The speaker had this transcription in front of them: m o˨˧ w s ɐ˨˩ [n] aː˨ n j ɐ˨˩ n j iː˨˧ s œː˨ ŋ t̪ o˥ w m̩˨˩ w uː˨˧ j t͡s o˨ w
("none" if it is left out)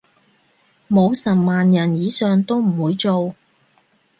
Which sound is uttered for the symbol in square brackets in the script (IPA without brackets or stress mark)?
m